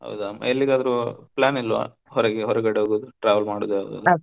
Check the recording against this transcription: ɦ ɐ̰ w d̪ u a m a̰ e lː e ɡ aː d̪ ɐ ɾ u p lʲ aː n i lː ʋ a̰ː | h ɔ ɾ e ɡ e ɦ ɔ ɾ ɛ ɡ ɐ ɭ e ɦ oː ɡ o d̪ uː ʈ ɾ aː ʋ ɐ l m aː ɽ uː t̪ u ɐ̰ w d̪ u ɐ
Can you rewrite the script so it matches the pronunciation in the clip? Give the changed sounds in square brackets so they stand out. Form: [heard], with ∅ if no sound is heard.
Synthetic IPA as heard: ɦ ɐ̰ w d̪ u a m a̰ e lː [i] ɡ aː d̪ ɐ ɾ u p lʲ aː n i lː ʋ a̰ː | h ɔ ɾ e ɡ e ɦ ɔ ɾ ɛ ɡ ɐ [ɽ] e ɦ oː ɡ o d̪ [u] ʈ ɾ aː ʋ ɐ l m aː ɽ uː [d̪] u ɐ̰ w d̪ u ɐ